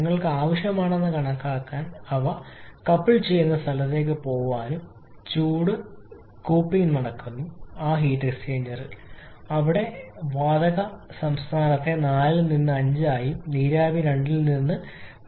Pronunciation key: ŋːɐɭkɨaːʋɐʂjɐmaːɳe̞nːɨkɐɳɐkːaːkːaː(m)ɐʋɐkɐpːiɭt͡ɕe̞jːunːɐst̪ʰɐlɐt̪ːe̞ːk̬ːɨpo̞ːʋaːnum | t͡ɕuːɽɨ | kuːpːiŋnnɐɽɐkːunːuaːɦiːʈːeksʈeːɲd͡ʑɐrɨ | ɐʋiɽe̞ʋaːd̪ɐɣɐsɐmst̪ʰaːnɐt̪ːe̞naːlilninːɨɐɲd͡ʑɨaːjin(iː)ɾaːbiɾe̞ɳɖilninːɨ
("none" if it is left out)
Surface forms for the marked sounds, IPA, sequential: n, iː

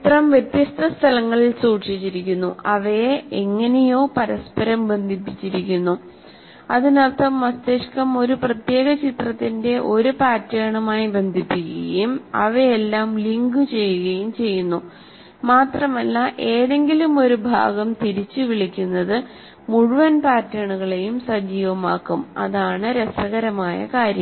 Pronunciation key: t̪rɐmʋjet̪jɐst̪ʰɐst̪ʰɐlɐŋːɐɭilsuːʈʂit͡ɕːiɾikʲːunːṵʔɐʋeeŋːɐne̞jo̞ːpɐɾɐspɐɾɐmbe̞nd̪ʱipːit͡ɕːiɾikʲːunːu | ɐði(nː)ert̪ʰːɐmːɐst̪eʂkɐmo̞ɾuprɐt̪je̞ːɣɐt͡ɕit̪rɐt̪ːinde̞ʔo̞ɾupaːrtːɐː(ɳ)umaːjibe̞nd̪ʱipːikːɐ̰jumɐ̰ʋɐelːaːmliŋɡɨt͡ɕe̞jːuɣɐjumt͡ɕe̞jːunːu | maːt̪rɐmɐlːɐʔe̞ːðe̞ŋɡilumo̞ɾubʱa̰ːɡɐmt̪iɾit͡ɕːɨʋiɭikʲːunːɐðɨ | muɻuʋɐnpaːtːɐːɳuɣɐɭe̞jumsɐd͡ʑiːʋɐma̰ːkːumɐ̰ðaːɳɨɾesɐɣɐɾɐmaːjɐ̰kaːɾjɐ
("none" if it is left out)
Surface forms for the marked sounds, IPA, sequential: n, ɳ

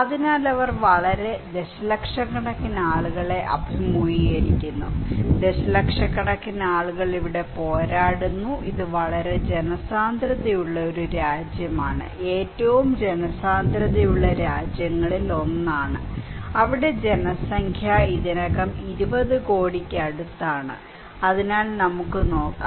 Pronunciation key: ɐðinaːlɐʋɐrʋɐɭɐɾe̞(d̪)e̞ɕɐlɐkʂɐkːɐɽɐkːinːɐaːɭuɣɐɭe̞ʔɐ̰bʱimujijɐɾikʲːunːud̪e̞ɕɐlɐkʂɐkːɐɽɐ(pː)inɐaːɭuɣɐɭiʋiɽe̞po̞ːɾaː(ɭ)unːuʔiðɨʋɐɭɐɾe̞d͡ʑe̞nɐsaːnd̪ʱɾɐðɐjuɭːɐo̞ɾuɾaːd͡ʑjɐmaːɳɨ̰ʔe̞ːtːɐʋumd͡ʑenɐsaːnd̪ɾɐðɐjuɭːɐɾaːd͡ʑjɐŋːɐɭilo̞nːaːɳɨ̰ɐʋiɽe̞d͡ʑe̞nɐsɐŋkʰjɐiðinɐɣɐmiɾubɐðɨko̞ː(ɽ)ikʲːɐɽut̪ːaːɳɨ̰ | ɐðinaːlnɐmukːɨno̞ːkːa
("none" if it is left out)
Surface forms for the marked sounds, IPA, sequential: d̪, kː, ɽ, ɽ

